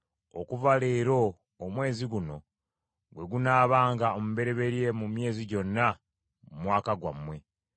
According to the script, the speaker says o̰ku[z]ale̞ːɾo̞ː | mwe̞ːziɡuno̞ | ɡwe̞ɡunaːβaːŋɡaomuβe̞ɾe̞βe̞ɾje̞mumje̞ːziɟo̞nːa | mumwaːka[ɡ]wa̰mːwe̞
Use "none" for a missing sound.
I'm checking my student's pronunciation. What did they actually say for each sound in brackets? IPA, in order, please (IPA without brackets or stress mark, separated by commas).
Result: v, ɡ